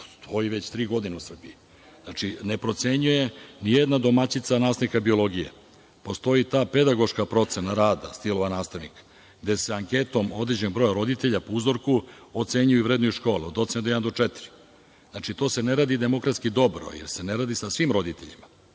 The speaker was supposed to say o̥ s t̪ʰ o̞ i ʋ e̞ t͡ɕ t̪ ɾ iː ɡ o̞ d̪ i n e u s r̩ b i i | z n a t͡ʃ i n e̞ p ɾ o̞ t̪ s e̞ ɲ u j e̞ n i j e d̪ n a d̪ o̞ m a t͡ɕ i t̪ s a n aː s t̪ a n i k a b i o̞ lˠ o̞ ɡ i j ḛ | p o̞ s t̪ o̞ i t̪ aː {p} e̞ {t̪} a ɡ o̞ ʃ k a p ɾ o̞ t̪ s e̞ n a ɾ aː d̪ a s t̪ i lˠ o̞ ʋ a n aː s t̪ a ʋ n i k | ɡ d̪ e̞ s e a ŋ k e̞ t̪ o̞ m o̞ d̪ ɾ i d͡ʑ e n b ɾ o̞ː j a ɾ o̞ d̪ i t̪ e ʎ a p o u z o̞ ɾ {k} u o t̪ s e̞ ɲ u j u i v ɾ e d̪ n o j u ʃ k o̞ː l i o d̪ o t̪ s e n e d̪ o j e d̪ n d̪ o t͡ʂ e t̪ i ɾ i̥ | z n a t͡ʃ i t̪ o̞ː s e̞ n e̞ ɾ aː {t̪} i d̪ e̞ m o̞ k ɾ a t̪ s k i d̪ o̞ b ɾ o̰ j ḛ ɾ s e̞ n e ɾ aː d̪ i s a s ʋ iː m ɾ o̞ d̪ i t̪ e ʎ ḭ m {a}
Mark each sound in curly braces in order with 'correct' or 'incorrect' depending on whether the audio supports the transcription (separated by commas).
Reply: correct, incorrect, correct, incorrect, correct